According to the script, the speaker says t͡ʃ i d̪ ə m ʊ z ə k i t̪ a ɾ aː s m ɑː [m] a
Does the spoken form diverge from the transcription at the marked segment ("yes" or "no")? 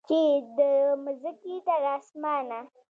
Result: yes